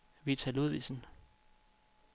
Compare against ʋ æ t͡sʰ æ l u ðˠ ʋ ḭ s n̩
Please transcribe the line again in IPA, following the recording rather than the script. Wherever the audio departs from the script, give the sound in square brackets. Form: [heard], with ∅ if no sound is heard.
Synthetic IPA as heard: ʋ [i] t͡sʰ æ l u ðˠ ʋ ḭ s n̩

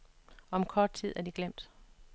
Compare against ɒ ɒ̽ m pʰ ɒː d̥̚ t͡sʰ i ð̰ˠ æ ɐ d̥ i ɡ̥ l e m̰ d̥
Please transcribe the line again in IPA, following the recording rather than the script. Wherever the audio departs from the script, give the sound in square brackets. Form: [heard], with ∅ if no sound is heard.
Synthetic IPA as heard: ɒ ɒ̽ m [kʰ] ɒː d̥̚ t͡sʰ i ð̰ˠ æ ɐ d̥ i ɡ̥ l e m̰ d̥

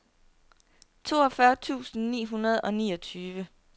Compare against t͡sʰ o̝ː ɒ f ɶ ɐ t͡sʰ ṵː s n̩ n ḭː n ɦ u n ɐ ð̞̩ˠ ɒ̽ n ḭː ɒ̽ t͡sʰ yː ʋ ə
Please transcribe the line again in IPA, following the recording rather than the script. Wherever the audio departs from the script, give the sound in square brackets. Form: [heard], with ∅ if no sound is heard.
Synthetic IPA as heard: t͡sʰ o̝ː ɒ f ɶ ɐ t͡sʰ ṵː s n̩ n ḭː [∅] ɦ u n ɐ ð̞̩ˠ ɒ̽ n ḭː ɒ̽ t͡sʰ yː ʋ ə

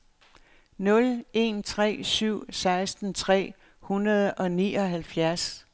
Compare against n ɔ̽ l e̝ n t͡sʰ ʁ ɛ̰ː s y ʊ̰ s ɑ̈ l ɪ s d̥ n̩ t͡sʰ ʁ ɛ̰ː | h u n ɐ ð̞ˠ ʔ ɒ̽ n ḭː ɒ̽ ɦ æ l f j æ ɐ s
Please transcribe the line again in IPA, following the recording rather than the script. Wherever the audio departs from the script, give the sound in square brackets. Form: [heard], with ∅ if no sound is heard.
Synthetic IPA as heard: n ɔ̽ l e̝ n t͡sʰ ʁ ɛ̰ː s y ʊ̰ s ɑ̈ [∅] ɪ s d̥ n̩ t͡sʰ ʁ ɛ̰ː | h u n ɐ ð̞ˠ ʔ ɒ̽ n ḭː ɒ̽ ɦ æ l f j æ ɐ s

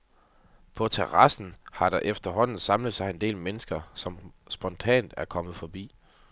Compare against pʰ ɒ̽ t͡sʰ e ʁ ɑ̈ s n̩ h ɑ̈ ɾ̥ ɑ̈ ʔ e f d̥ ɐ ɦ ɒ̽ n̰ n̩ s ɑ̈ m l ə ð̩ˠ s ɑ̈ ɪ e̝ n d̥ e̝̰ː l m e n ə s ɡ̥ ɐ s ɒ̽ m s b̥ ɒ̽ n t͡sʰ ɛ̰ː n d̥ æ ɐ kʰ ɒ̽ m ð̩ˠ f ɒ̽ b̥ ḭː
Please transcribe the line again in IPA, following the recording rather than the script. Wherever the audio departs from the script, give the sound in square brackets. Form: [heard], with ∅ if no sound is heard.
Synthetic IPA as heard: pʰ ɒ̽ t͡sʰ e ʁ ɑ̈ s n̩ h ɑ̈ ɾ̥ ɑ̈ ʔ e f d̥ ɐ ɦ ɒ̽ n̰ n̩ s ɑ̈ m l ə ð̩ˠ s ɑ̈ ɪ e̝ n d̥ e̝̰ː l m e n ə s ɡ̥ ɐ s ɒ̽ m s b̥ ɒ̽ n t͡sʰ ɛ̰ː n d̥ æ ɐ kʰ ɒ̽ m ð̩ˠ f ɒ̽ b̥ ḭː

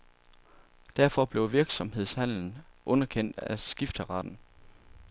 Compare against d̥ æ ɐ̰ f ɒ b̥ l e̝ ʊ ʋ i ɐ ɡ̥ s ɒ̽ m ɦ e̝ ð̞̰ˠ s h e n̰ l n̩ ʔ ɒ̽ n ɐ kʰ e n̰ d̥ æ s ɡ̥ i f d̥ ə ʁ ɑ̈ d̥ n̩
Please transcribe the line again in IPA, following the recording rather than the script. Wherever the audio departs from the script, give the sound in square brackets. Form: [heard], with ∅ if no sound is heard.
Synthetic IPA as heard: d̥ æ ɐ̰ f ɒ b̥ l e̝ ʊ ʋ i ɐ ɡ̥ s ɒ̽ m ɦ e̝ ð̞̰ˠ s h [æ] n̰ l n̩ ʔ [ɔ̽] n ɐ kʰ e n̰ d̥ æ s ɡ̥ i f d̥ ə ʁ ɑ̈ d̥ n̩

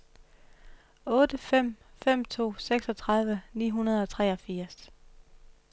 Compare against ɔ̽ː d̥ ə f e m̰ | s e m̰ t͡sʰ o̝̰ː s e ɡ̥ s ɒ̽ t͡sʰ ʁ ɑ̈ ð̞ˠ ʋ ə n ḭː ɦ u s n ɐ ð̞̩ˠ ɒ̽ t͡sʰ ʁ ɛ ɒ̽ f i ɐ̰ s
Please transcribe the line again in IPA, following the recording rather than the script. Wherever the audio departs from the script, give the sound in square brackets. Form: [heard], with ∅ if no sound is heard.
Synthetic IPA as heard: ɔ̽ː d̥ ə f e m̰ | [f] e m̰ t͡sʰ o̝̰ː s e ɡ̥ s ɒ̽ t͡sʰ ʁ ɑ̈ ð̞ˠ ʋ ə n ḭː ɦ u [∅] n ɐ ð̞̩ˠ ɒ̽ t͡sʰ ʁ ɛ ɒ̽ f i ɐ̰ s

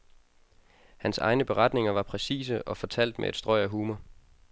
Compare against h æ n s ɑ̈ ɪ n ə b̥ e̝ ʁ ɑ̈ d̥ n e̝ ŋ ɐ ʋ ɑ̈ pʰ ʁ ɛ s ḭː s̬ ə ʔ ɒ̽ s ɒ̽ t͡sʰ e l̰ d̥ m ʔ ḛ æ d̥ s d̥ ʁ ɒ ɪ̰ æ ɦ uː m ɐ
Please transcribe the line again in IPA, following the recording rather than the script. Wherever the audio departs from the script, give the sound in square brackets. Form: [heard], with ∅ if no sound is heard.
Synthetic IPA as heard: h æ n s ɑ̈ ɪ n ə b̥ e̝ ʁ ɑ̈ d̥ n e̝ ŋ ɐ ʋ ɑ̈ pʰ ʁ ɛ s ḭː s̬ ə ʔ ɒ̽ [f] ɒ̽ t͡sʰ [æ] l̰ d̥ m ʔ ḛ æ d̥ s d̥ ʁ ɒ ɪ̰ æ ɦ uː m ɐ

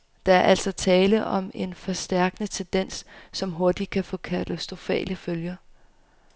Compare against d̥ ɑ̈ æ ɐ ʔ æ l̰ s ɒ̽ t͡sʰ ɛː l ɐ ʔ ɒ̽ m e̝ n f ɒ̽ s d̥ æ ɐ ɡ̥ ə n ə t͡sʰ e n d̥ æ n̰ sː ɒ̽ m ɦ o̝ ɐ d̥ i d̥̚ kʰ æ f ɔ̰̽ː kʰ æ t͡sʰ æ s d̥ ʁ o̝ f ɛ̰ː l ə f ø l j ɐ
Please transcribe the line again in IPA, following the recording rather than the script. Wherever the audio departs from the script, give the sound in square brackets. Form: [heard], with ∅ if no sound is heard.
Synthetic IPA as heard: d̥ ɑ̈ æ ɐ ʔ æ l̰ s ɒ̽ t͡sʰ ɛː l [ə] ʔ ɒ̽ m e̝ n f ɒ̽ s d̥ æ ɐ ɡ̥ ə n ə t͡sʰ e n d̥ [e] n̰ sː ɒ̽ m ɦ o̝ ɐ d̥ i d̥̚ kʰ æ f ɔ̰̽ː kʰ æ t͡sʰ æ s d̥ ʁ o̝ f ɛ̰ː l ə f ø l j ɐ

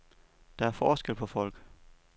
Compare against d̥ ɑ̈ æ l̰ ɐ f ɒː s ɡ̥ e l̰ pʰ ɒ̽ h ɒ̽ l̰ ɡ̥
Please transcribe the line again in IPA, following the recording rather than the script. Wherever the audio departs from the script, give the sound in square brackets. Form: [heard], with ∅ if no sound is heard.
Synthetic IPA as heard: d̥ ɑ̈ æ [∅] ɐ f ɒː s ɡ̥ e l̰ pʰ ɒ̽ [f] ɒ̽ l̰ ɡ̥

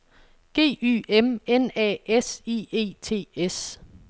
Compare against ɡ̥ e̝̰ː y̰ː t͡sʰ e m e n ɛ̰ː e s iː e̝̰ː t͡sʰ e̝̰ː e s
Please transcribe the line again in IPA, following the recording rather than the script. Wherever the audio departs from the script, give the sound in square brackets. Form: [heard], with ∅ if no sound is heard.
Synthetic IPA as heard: ɡ̥ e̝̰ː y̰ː [∅] e m e n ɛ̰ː e s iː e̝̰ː t͡sʰ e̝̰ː e s

